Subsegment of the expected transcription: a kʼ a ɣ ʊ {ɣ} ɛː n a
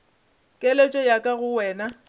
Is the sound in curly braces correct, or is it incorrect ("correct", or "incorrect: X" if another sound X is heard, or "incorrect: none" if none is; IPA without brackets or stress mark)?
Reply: incorrect: w